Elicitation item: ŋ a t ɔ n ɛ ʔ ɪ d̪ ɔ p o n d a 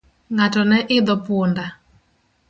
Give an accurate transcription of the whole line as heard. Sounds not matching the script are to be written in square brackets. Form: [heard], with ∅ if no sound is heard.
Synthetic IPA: ŋ a t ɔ n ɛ ʔ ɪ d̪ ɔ p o n d a